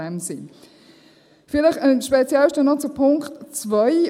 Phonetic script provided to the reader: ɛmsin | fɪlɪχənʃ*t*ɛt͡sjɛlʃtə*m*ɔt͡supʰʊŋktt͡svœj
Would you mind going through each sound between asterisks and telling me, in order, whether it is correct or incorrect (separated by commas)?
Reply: incorrect, incorrect